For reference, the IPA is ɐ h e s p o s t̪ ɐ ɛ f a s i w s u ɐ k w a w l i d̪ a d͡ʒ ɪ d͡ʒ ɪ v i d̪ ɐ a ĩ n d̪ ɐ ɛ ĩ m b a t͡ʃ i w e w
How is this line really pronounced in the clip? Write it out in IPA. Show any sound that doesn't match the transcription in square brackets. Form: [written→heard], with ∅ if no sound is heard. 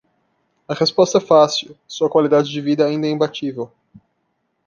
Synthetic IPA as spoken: ɐ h e s p [o→ɔ] s t̪ ɐ ɛ f a s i w s u ɐ k w a [w→∅] l i d̪ a d͡ʒ ɪ d͡ʒ ɪ v i d̪ ɐ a ĩ n d̪ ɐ ɛ ĩ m b a t͡ʃ i [w→v] e w

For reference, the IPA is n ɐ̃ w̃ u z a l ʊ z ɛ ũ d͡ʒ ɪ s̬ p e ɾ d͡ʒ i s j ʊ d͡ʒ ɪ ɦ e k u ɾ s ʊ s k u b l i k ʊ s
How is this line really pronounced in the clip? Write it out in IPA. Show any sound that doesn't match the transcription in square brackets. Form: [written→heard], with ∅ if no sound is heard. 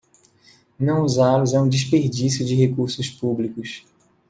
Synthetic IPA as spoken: n ɐ̃ w̃ u z a l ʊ z ɛ ũ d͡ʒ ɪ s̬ p e ɾ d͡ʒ i s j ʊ d͡ʒ ɪ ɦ e k u ɾ s ʊ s [k→p] u b l i k ʊ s

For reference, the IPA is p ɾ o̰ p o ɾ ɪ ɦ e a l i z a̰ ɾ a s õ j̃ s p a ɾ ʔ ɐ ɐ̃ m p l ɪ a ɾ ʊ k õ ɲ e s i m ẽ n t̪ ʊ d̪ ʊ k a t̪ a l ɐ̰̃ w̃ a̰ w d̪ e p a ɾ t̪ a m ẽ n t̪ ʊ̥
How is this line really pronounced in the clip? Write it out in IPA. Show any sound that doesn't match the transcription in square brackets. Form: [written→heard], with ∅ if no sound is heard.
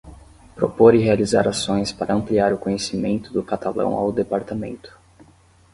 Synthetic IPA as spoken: p ɾ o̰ p o ɾ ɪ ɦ e a l i z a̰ ɾ a s õ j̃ s p a ɾ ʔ ɐ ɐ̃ m p l [ɪ→i] a ɾ ʊ k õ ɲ e s i m ẽ n t̪ ʊ d̪ ʊ k a t̪ a l ɐ̰̃ w̃ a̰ w d̪ e p a ɾ t̪ a m ẽ n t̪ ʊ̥

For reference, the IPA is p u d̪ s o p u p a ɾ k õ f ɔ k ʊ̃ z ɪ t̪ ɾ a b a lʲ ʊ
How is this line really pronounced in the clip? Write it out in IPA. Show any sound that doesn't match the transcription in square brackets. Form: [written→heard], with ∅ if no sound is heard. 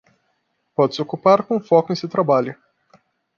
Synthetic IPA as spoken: p [u→ɔ] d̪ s o [p→k] u p a ɾ k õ f ɔ k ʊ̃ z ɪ t̪ ɾ a b a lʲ ʊ

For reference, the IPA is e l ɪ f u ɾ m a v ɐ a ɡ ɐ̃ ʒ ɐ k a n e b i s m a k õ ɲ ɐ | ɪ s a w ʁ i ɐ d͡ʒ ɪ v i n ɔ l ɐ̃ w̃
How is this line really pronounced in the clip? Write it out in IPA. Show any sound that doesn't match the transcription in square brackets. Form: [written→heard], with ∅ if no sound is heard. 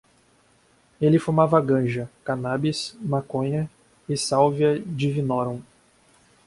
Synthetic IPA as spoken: e l ɪ f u ɾ m a v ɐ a ɡ ɐ̃ ʒ ɐ k a n [e→a] b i s m a k õ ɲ ɐ | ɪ s a w [ʁ→v] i ɐ d͡ʒ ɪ v i n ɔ [l→ɾ] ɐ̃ w̃

